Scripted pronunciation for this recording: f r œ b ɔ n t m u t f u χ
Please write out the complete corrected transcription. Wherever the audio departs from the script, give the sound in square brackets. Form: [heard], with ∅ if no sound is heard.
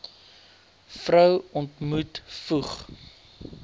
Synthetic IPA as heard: f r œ [w] ɔ n t m u t f u χ